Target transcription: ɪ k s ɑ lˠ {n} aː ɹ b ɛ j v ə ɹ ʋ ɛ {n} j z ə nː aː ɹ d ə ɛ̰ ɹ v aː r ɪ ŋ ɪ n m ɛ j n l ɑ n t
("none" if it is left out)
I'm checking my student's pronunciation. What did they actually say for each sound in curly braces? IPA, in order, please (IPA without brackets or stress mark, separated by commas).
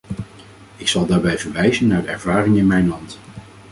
d, none